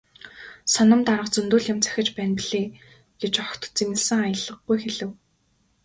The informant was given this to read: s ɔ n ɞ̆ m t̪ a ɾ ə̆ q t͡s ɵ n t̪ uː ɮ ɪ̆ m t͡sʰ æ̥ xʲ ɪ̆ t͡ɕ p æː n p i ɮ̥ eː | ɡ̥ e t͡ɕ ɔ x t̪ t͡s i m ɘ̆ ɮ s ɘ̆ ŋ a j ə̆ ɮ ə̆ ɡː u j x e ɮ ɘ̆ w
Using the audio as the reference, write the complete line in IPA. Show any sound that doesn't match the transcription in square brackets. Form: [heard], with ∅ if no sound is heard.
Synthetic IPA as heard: s ɔ n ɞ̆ m t̪ a ɾ ə̆ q t͡s ɵ n t̪ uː ɮ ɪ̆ m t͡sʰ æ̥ xʲ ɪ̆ t͡ɕ p æː n p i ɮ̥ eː | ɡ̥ e t͡ɕ ɔ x t̪ t͡s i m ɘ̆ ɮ s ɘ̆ ŋ a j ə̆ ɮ ə̆ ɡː u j x e ɮ ɘ̆ w